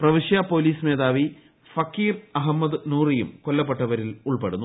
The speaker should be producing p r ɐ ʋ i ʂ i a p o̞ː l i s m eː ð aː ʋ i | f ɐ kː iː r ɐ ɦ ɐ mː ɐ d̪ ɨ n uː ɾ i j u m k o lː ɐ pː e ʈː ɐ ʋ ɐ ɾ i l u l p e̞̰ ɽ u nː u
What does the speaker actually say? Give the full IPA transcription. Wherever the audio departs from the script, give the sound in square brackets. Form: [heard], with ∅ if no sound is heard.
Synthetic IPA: p r ɐ ʋ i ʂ [j] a p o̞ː l [iː] s m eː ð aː ʋ i | f ɐ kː iː r ɐ ɦ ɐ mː ɐ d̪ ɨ n uː [r] i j u m k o lː ɐ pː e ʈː ɐ ʋ ɐ ɾ i l u [ɭ] p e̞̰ ɽ u nː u